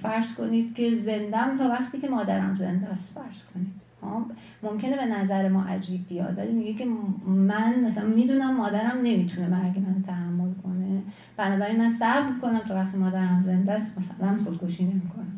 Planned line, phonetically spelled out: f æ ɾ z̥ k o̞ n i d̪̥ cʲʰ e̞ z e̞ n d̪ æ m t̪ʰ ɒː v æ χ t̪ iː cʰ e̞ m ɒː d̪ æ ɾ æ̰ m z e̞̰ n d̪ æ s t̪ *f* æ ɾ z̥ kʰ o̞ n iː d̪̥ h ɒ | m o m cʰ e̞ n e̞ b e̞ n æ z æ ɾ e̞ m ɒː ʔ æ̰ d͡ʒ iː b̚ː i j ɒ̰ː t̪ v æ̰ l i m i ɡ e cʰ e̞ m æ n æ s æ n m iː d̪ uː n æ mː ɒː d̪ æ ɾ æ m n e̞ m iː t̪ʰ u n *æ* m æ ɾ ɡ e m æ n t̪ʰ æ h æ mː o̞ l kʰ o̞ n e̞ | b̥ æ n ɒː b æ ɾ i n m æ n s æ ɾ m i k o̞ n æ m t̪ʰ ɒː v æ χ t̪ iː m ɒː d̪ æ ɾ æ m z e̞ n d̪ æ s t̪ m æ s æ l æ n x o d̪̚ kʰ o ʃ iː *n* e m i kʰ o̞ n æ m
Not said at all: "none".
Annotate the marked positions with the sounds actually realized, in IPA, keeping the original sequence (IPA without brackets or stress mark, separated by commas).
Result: f, e, n